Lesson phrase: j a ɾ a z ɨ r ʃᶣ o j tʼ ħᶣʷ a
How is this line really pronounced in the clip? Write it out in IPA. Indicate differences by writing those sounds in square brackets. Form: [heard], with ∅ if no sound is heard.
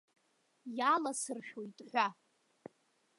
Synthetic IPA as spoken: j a [l] a [s] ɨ r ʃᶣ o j tʼ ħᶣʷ a